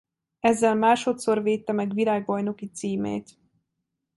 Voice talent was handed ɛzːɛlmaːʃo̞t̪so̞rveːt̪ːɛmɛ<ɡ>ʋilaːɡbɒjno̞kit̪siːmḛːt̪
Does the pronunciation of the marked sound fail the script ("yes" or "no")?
no